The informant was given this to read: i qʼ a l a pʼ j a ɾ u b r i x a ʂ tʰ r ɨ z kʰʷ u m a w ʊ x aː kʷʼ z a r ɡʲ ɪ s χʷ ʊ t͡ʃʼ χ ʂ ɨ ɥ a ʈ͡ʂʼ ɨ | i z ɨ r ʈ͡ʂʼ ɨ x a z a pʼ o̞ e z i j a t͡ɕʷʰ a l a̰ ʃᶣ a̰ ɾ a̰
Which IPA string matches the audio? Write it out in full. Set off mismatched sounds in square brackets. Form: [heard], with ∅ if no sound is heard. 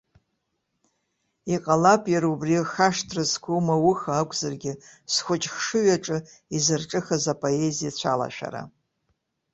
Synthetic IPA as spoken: i qʼ a l a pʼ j a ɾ u b r i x a ʂ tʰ r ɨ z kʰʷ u m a w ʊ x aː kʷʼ z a r ɡʲ ɪ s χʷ ʊ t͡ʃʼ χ ʂ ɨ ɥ a ʈ͡ʂʼ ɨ | i z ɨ r ʈ͡ʂʼ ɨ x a z a pʼ o̞ e z i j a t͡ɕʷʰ a l a̰ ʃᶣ a̰ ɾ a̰

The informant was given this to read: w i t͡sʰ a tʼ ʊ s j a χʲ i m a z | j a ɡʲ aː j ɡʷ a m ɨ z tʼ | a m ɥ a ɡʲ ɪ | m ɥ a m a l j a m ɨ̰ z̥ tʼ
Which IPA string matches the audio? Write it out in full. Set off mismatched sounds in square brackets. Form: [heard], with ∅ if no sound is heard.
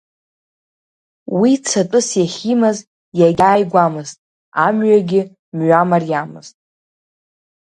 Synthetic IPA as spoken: w i t͡sʰ a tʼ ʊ s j a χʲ i m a z | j a ɡʲ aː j ɡʷ a m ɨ z tʼ | a m ɥ a ɡʲ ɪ | m ɥ a m a [r] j a m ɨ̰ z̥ tʼ

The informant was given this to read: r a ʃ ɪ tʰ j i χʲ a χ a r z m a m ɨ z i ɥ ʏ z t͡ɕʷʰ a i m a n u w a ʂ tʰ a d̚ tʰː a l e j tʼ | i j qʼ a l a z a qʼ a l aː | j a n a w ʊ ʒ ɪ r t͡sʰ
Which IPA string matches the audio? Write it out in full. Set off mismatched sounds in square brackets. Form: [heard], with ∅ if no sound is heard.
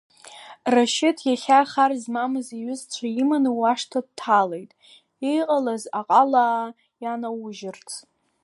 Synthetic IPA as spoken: r a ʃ ɪ tʰ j [a] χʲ a χ a r z m a m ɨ z i ɥ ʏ z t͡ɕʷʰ a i m a n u w a ʂ tʰ a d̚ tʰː a l e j tʼ | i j qʼ a l a z a qʼ a l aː | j a n a w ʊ ʒ ɪ r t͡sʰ

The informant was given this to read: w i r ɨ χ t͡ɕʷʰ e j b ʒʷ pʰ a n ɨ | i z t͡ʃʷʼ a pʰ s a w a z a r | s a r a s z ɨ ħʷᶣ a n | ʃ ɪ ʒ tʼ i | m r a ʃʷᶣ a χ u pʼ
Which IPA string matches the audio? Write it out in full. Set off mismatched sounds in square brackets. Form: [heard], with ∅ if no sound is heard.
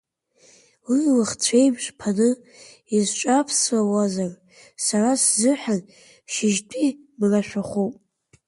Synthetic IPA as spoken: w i [l] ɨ χ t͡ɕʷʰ e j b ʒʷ pʰ a n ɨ | i z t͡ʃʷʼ a pʰ s a w a z a r | s a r a s z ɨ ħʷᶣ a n | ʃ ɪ ʒ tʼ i | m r a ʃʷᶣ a χ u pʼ

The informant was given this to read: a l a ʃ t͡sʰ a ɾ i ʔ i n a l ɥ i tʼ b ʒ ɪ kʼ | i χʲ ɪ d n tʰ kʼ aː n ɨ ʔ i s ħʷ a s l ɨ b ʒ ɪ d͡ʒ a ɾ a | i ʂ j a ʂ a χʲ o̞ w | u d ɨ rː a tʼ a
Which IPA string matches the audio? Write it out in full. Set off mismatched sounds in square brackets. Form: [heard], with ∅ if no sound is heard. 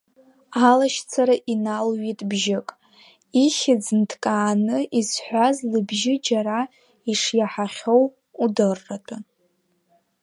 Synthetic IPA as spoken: a l a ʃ t͡sʰ a ɾ [a] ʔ i n a l ɥ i tʼ b ʒ ɪ kʼ | i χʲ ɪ [d͡z] n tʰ kʼ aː n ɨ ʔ i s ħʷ a [z] l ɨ b ʒ ɪ d͡ʒ a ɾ a | i ʂ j a [ħ] a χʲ o̞ w | u d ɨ rː a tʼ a

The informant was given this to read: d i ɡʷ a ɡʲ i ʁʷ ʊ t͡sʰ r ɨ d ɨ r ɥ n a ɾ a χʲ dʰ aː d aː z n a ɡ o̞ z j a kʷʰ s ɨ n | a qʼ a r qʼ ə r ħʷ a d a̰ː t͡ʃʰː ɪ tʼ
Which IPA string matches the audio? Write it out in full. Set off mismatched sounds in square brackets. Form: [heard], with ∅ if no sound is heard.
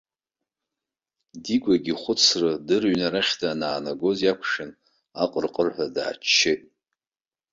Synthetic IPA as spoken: d i ɡʷ a ɡʲ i [χʷ] ʊ t͡sʰ r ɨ d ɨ r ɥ n a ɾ a χʲ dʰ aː [n] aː [∅] n a ɡ o̞ z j a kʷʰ [ʂ] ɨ n | a qʼ [ə] r qʼ ə r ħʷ a d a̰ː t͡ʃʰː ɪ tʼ

